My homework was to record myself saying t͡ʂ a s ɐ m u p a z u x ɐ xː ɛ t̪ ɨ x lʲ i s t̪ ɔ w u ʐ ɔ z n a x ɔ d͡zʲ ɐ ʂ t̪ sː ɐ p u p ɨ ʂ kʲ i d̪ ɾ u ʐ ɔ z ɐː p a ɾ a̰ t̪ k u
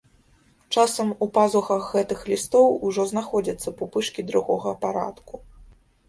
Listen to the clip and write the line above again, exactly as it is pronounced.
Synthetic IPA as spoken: t͡ʂ a s ɐ m u p a z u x ɐ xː ɛ t̪ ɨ x lʲ i s t̪ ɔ w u ʐ ɔ z n a x ɔ d͡zʲ ɐ t̪ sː ɐ p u p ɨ ʂ kʲ i d̪ ɾ u ɣ ɔ ɣ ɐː p a ɾ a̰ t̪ k u